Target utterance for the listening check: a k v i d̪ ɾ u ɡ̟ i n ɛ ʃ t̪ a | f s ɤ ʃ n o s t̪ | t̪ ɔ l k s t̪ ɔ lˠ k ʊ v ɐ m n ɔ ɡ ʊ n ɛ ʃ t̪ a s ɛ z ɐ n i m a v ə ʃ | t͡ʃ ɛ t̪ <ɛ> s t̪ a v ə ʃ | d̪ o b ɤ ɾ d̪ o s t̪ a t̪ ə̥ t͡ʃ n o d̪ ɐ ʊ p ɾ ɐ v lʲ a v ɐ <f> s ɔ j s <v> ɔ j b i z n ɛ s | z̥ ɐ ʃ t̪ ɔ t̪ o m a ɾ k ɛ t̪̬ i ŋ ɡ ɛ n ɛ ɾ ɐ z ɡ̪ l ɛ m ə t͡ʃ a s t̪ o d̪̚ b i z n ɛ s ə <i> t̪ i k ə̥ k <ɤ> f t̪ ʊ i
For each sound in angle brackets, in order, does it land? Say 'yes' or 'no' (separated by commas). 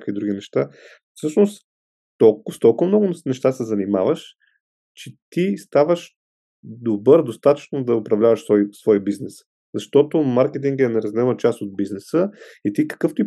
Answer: no, no, yes, yes, yes